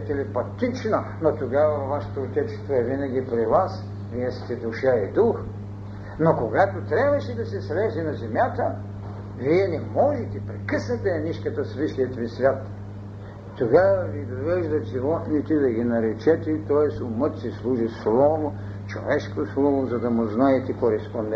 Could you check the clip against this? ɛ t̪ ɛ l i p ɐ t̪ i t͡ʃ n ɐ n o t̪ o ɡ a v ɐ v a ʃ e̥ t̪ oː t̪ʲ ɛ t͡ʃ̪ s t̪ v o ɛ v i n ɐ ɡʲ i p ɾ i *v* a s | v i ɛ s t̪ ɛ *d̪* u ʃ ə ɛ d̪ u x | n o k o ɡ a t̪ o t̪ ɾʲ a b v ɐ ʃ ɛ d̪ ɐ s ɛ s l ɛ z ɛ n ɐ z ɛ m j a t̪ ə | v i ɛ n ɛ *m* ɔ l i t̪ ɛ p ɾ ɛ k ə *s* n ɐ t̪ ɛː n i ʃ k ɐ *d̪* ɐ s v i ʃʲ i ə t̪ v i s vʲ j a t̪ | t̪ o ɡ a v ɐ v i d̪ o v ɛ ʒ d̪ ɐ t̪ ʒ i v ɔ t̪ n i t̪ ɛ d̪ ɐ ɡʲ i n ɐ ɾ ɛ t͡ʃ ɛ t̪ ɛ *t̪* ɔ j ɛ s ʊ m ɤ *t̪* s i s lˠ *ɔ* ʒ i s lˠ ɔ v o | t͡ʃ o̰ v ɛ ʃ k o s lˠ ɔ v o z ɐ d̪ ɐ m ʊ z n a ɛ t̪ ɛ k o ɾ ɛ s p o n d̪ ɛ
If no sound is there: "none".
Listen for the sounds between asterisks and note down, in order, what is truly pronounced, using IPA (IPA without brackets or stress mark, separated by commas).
v, d̪, m, s, t̪, t̪, t̪, u